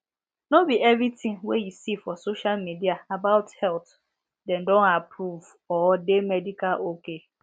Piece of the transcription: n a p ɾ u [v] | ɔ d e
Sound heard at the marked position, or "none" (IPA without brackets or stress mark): v